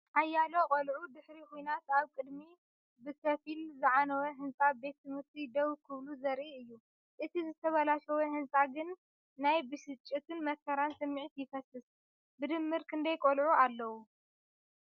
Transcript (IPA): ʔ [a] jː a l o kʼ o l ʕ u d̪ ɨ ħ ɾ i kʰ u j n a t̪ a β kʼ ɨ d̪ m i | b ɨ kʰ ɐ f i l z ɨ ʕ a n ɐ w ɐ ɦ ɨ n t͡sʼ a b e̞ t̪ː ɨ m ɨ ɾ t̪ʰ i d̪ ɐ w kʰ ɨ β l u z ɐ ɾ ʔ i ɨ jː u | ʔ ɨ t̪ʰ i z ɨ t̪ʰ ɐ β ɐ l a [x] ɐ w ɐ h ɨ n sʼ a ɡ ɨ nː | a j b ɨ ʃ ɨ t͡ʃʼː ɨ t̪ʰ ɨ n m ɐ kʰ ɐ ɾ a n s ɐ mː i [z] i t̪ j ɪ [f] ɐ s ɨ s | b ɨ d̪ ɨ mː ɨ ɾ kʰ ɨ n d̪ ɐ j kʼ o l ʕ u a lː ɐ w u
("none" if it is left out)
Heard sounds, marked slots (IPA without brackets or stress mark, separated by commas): a, ʃ, ʕ, f